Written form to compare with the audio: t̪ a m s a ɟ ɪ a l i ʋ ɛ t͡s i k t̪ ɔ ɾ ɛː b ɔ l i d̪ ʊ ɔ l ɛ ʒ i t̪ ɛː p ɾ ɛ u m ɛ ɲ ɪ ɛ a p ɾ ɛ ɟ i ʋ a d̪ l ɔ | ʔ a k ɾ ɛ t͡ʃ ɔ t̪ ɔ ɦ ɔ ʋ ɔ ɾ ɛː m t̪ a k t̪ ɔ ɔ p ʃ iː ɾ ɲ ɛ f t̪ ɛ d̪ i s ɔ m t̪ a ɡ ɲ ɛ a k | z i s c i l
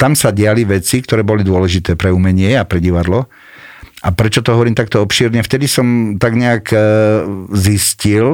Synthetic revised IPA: t̪ a m s a ɟ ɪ a l i ʋ ɛ t͡s i k t̪ ɔ ɾ ɛː b ɔ l i d̪ ʊ ɔ l ɛ ʒ i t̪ ɛː p ɾ ɛ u m ɛ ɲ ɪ ɛ a p ɾ ɛ ɟ i ʋ a d̪ l ɔ | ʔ a p ɾ ɛ t͡ʃ ɔ t̪ ɔ ɦ ɔ ʋ ɔ ɾ iː m t̪ a k t̪ ɔ ɔ p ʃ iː ɾ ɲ ɛ f t̪ ɛ d̪ i s ɔ m t̪ a ɡ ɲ ɛ a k | z i s c i l